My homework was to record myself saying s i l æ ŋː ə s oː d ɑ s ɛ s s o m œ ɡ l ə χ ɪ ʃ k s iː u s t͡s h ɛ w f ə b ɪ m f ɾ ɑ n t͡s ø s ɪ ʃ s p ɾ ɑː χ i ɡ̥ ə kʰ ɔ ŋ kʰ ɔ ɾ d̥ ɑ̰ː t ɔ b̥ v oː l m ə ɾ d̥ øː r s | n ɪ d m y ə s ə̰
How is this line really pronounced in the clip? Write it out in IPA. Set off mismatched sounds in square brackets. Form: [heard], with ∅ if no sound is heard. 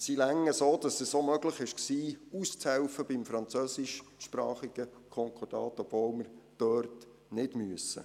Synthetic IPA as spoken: s i l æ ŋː ə s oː d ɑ s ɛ s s o m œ ɡ l ə χ ɪ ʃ k s iː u s t͡s h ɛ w f ə b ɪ m f ɾ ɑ n t͡s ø s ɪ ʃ [ʃ] p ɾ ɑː χ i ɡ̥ ə kʰ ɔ ŋ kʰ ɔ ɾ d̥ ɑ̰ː t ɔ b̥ v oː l m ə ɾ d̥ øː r [t] | n ɪ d m y ə s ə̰